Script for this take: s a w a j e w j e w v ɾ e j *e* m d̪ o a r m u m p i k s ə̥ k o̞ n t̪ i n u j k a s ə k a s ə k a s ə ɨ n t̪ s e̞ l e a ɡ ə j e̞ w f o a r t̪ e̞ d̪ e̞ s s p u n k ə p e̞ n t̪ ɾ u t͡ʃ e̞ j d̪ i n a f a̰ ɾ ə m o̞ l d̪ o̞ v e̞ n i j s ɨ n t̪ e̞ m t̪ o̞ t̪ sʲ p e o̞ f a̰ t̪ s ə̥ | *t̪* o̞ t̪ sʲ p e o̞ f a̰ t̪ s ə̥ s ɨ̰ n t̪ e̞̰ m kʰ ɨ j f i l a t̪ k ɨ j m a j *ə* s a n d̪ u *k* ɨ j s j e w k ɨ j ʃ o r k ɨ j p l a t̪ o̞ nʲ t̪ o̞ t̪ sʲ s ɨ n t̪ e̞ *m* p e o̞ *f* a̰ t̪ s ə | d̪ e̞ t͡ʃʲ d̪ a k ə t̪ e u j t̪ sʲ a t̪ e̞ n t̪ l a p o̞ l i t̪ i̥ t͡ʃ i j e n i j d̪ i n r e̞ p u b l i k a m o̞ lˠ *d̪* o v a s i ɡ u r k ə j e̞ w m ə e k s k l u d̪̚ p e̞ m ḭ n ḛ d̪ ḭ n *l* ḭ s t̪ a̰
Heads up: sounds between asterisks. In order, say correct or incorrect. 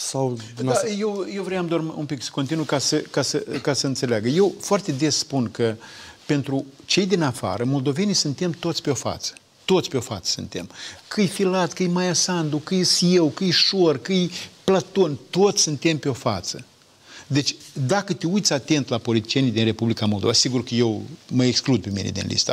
incorrect: a, correct, incorrect: a, correct, correct, correct, correct, correct

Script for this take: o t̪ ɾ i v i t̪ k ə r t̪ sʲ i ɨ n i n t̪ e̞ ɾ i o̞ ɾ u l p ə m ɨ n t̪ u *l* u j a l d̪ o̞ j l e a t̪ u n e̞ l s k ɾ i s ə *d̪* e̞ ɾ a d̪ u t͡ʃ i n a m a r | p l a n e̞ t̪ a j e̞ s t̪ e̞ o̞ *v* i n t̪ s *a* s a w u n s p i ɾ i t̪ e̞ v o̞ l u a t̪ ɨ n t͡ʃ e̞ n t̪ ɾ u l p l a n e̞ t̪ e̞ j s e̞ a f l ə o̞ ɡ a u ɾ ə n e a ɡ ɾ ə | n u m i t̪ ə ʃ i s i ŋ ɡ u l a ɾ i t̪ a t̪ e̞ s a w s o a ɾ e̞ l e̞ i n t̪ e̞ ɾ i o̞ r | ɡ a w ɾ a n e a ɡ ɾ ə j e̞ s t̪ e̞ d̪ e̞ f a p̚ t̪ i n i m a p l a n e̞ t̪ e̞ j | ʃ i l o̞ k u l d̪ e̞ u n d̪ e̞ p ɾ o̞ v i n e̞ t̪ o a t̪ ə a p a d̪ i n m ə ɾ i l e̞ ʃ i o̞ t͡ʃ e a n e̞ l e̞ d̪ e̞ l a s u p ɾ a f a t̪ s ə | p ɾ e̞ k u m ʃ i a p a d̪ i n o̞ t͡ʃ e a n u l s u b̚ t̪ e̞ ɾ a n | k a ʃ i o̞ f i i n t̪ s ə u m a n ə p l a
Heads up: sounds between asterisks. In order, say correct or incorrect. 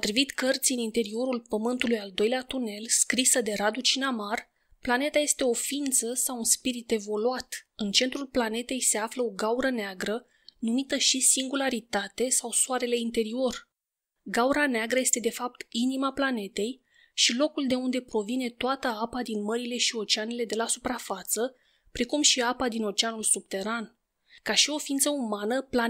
correct, correct, incorrect: f, incorrect: ə

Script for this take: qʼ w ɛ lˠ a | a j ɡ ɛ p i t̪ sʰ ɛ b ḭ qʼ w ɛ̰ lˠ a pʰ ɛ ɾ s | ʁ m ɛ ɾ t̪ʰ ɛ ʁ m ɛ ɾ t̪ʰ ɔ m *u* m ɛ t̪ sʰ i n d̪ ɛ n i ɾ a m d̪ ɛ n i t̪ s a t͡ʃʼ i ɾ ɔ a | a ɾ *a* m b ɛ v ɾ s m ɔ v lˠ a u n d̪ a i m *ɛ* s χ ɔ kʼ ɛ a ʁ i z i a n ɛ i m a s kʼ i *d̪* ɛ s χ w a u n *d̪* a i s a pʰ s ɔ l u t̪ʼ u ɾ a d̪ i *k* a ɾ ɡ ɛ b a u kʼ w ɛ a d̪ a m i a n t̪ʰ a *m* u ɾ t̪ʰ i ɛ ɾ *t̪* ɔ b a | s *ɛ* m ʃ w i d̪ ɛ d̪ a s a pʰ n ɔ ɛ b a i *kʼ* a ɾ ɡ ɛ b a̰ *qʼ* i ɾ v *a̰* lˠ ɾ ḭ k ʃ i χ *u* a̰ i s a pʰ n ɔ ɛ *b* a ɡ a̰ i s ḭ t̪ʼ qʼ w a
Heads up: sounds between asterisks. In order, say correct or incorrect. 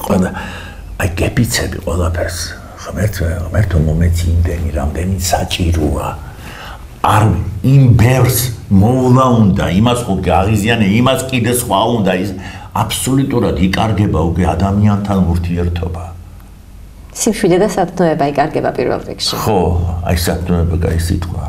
incorrect: ɔ, incorrect: i, incorrect: a, correct, correct, incorrect: kʼ, incorrect: n, incorrect: t̪ʰ, incorrect: i, correct, incorrect: pʼ, incorrect: ɛ̰, incorrect: ɔ, correct

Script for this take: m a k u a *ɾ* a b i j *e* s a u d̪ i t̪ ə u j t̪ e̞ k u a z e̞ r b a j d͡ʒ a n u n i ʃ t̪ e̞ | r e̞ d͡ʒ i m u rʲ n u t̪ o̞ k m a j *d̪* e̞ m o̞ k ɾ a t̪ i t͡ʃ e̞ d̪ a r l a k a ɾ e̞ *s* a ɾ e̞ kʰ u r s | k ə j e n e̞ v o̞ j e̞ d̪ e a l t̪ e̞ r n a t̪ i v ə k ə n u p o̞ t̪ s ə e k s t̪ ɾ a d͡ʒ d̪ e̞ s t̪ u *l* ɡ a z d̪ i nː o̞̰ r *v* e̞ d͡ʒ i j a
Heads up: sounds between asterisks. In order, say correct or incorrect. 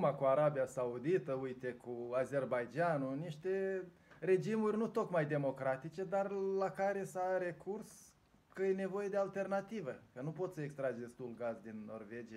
correct, incorrect: a, correct, correct, correct, correct

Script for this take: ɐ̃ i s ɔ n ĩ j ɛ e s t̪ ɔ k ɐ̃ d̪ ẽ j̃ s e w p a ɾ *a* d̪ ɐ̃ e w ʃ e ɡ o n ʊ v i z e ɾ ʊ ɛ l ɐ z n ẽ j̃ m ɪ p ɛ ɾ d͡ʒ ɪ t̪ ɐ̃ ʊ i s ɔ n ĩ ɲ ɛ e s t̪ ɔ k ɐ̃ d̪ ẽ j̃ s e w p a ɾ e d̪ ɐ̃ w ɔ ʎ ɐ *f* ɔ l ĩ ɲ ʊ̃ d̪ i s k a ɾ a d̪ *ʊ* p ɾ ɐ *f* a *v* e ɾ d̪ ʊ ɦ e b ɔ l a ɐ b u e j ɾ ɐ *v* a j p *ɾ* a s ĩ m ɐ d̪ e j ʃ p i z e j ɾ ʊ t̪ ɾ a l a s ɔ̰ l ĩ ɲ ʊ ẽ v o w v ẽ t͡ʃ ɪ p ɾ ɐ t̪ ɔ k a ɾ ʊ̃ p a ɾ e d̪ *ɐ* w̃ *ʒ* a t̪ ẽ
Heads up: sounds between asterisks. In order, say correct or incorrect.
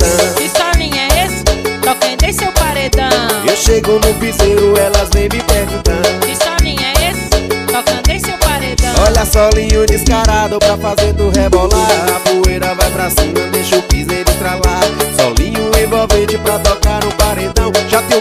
incorrect: e, incorrect: s, correct, correct, incorrect: z, correct, correct, incorrect: ɐ̃, correct

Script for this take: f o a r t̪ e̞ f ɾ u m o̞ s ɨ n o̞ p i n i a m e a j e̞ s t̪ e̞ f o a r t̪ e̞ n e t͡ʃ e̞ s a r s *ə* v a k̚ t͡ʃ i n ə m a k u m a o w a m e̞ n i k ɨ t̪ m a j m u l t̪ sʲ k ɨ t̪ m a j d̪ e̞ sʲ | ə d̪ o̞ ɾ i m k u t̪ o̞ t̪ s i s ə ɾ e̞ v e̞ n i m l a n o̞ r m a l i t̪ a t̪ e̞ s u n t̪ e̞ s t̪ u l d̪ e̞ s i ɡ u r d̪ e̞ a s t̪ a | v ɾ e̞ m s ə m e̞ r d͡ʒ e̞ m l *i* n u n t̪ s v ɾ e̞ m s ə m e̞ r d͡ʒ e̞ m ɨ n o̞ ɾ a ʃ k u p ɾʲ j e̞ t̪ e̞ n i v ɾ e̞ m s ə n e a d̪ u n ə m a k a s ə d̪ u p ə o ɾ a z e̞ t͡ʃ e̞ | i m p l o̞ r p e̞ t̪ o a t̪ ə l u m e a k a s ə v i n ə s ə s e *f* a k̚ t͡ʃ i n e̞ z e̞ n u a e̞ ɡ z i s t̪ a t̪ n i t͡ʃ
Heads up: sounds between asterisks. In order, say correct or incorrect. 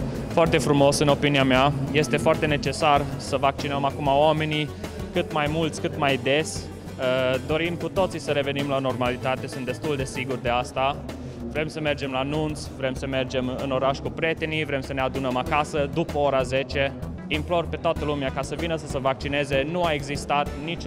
correct, incorrect: a, incorrect: v

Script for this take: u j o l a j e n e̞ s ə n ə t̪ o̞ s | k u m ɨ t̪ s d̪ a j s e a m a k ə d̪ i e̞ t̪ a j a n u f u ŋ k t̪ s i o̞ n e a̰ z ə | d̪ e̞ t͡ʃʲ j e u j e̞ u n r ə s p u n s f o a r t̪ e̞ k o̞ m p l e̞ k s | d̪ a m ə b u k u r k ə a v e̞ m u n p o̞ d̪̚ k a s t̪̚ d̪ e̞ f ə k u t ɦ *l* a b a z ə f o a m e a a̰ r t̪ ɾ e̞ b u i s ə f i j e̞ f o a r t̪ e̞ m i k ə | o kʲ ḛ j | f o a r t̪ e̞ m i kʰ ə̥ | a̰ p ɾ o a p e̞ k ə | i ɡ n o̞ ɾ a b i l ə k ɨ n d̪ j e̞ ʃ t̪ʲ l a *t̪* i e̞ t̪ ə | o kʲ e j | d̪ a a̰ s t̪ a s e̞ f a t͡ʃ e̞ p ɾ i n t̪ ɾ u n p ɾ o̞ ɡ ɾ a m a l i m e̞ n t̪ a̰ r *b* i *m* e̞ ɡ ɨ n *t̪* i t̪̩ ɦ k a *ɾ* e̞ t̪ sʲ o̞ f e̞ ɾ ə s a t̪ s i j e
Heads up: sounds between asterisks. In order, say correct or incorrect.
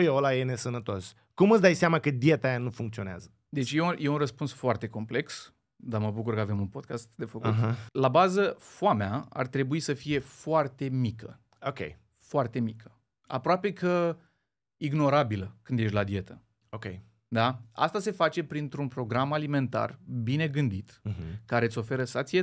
correct, incorrect: d̪, correct, incorrect: n, incorrect: d̪, correct

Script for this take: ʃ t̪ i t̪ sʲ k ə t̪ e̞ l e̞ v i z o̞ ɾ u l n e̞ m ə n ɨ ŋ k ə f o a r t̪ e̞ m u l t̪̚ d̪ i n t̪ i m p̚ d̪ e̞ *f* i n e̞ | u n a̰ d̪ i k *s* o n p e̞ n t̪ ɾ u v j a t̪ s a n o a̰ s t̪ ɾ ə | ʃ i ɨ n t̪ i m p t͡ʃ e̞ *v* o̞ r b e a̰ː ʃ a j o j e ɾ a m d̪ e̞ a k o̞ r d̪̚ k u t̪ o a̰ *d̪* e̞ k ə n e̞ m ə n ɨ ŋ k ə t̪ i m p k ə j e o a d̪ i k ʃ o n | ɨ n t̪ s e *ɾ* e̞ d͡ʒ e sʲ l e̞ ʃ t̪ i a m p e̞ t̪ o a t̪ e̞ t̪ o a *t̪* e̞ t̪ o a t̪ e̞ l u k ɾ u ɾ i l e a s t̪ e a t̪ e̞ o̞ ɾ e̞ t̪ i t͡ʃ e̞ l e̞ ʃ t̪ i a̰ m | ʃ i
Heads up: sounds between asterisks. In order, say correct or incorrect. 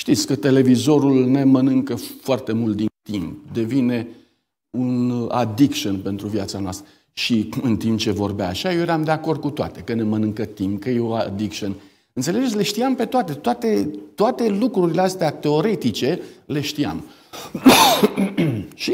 incorrect: v, incorrect: ʃ, correct, incorrect: t̪, incorrect: l, correct

